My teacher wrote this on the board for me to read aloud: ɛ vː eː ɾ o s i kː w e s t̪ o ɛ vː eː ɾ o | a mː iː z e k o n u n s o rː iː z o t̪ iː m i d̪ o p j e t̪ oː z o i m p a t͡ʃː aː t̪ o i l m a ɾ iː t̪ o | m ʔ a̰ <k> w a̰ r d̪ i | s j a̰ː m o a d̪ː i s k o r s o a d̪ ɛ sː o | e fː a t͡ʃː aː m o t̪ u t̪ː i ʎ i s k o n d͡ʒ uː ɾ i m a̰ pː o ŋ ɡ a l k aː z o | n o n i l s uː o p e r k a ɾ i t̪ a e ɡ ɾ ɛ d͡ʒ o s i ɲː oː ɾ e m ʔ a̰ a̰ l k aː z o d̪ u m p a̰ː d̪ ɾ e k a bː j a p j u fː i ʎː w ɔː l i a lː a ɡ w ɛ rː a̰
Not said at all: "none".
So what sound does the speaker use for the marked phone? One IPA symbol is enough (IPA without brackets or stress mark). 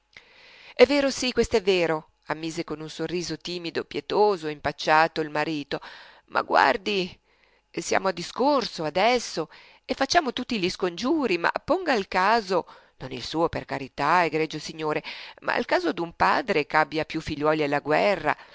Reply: ɡ